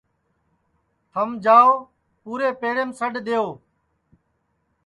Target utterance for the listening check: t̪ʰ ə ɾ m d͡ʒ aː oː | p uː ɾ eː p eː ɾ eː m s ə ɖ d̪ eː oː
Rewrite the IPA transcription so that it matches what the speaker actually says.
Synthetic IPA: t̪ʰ ə m d͡ʒ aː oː | p uː ɾ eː p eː ɾ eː m s ə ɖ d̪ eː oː